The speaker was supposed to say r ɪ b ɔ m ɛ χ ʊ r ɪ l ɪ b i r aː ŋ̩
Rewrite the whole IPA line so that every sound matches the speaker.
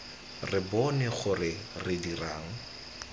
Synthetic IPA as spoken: r ɪ b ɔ n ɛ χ ʊ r ɪ r ɪ d i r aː ŋ̩